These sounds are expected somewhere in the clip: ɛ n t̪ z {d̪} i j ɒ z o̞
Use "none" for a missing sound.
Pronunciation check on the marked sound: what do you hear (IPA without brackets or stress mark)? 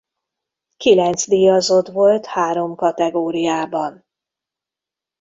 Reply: d̪